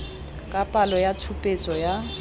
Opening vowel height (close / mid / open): open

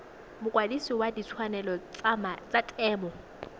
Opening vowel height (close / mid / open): close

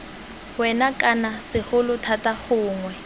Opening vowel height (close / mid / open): mid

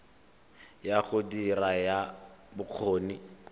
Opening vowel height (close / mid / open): open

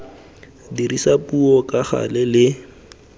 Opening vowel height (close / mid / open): close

